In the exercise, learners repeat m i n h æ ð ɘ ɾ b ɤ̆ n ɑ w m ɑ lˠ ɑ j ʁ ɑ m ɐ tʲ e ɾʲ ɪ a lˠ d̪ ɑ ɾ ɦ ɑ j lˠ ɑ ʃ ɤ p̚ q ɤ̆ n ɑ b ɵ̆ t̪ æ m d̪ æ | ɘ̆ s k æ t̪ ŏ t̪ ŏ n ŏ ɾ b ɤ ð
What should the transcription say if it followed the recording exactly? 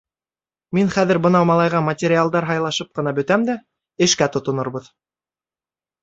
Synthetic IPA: m i n χ æ ð ɘ ɾ b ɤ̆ n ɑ w m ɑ lˠ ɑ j ʁ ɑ m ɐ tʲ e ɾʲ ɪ a lˠ d̪ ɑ ɾ ɦ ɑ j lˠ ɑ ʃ ɤ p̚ q ɤ̆ n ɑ b ɵ̆ t̪ æ m d̪ æ | ɘ̆ ʃ k æ t̪ ŏ t̪ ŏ n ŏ ɾ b ɤ ð

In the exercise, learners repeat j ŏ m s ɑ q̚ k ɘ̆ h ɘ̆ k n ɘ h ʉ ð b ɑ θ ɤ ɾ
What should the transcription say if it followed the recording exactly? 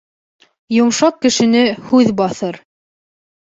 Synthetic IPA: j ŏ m ʃ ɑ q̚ k ɘ̆ ʃ ɘ̆ n ɘ h ʉ ð b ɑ θ ɤ ɾ

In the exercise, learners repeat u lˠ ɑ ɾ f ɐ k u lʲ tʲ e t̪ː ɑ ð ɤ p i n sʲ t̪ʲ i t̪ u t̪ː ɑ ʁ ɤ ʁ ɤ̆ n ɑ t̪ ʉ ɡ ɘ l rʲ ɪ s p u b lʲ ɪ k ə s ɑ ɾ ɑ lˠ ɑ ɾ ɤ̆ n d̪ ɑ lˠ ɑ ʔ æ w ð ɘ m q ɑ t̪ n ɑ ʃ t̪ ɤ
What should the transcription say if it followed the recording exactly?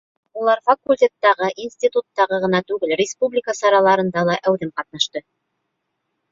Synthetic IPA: u lˠ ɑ ɾ f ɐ k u lʲ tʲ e t̪ː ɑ ʁ ɤ ʔ i n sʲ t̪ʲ i t̪ u t̪ː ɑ ʁ ɤ ʁ ɤ̆ n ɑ t̪ ʉ ɡ ɘ l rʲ ɪ s p u b lʲ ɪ k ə s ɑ ɾ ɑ lˠ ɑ ɾ ɤ̆ n d̪ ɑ lˠ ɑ ʔ æ w ð ɘ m q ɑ t̪ n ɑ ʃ t̪ ɤ

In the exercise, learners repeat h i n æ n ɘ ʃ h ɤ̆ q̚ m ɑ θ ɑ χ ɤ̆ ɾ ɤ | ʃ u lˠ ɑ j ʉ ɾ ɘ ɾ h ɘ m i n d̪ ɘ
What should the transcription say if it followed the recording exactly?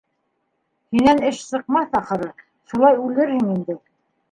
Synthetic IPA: h i n æ n ɘ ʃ s ɤ̆ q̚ m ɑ θ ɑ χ ɤ̆ ɾ ɤ | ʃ u lˠ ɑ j ʉ l ɘ ɾ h ɘ ŋ i n d̪ ɘ

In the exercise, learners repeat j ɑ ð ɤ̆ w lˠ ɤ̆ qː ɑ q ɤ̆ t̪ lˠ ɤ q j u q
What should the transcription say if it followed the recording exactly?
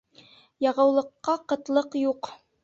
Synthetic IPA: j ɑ ʁ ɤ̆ w lˠ ɤ̆ qː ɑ q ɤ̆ t̪ lˠ ɤ q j u q

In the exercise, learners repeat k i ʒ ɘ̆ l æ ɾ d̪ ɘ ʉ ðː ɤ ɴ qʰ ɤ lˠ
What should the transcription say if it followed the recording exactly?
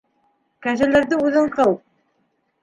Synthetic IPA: k æ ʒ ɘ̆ l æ ɾ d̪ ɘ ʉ ð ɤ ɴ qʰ ɤ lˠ

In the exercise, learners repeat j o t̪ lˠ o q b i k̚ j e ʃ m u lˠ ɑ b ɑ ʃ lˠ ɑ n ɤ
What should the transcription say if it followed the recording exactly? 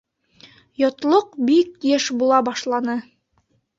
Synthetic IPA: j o t̪ lˠ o q b i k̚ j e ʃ b u lˠ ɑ b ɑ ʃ lˠ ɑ n ɤ

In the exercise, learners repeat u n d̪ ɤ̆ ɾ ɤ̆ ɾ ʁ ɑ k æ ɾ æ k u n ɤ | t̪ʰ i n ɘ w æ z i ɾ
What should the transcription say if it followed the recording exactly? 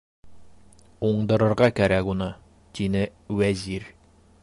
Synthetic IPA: u ɴ d̪ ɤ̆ ɾ ɤ̆ ɾ ʁ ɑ k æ ɾ æ k u n ɤ | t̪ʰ i n ɘ w æ z i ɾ

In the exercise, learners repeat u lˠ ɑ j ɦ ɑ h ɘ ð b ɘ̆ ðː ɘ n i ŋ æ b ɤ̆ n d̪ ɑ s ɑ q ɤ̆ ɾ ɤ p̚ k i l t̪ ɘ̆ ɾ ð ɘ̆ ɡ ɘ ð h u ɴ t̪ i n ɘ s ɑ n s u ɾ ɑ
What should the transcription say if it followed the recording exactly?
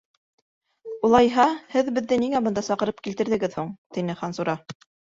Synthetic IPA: u lˠ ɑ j ɦ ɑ h ɘ ð b ɘ̆ ðː ɘ n i ŋ æ b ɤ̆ n d̪ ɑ s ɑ q ɤ̆ ɾ ɤ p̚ k i l t̪ ɘ̆ ɾ ð ɘ̆ ɡ ɘ ð h u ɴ t̪ i n ɘ χ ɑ n s u ɾ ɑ

